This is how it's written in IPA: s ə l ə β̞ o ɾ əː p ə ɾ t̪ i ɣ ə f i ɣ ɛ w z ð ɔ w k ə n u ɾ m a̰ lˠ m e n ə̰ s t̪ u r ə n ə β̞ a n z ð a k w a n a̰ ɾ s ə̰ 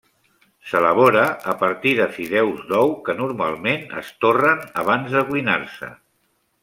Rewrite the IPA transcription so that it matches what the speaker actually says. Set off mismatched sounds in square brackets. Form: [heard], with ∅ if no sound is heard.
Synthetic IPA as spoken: s ə l ə β̞ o ɾ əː p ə ɾ t̪ i [ð] ə f i [ð] ɛ w z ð ɔ w k ə n u ɾ m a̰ lˠ m e n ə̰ s t̪ [o] r ə n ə β̞ a n z ð [ə] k w [i] n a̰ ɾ s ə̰